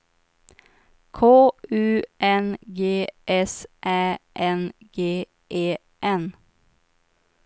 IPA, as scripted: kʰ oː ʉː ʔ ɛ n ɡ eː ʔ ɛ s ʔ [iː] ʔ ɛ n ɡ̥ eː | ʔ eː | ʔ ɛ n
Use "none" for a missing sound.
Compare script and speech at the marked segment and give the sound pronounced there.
æː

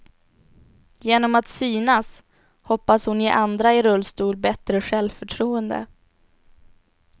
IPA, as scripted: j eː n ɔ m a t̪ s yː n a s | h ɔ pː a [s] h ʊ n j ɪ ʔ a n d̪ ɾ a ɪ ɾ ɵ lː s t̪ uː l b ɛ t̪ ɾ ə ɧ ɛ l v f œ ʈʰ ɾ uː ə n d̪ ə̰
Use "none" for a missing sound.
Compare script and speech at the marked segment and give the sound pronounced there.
s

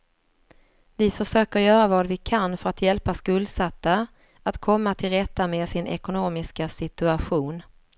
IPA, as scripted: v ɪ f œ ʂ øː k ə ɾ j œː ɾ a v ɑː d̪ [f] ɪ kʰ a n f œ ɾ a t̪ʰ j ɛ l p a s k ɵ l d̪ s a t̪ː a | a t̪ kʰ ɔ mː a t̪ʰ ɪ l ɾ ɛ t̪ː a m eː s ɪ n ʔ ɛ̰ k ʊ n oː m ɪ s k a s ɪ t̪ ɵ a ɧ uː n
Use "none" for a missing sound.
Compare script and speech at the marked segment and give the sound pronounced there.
v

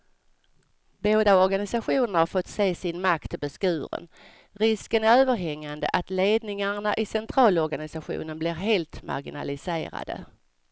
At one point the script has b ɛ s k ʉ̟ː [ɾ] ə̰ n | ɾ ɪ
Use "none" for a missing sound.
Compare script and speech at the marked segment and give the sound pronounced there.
ɾ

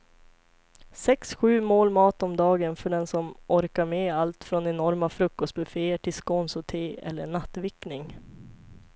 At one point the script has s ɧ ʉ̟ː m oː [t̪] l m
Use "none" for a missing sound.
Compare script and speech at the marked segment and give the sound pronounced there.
none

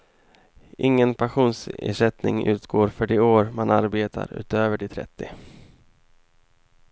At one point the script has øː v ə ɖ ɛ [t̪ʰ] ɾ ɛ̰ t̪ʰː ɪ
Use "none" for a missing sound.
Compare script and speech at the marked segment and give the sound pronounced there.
t̪ʰ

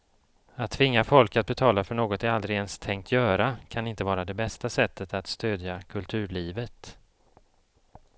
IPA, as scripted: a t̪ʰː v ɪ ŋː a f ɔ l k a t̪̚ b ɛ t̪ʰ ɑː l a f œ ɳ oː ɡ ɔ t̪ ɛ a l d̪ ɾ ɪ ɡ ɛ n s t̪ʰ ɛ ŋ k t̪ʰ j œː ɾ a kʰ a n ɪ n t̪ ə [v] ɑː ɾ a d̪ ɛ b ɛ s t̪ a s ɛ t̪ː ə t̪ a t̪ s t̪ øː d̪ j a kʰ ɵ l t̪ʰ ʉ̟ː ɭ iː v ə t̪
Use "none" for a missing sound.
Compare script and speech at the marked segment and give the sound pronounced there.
v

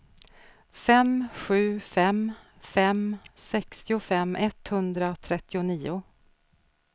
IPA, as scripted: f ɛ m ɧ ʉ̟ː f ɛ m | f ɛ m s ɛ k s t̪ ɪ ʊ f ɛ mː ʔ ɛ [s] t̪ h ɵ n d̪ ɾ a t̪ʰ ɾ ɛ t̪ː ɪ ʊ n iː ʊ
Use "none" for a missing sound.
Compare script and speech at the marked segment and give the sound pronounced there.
none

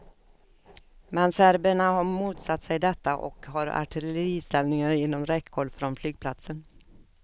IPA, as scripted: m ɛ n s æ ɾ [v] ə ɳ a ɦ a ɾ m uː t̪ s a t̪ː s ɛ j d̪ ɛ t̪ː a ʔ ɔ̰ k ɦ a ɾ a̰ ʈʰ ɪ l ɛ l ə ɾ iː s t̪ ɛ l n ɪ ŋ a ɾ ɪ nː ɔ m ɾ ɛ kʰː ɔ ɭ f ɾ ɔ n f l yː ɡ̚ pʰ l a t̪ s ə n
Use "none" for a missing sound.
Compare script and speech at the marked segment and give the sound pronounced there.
b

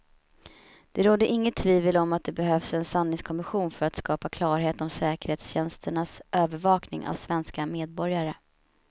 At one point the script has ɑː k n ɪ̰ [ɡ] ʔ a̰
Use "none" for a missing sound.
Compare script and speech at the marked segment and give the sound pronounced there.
ŋ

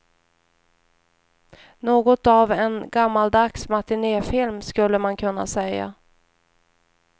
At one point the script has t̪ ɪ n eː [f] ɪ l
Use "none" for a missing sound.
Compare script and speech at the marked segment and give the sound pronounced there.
f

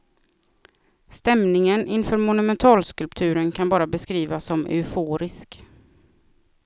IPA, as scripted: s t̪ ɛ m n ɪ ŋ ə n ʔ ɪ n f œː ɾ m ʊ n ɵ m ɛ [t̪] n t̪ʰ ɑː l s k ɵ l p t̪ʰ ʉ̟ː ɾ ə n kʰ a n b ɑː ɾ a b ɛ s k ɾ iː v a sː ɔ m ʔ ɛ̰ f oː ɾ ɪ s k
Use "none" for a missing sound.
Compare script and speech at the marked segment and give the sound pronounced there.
none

